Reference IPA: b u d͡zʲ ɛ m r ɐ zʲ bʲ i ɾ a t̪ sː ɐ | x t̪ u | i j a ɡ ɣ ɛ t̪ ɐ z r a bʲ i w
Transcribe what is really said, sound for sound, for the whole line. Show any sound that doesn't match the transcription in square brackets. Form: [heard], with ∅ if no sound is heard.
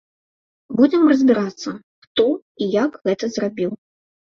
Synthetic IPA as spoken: b u d͡zʲ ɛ m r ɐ zʲ bʲ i ɾ a t̪ sː ɐ | x t̪ [ɔ] | i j a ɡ ɣ ɛ t̪ ɐ z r a bʲ i w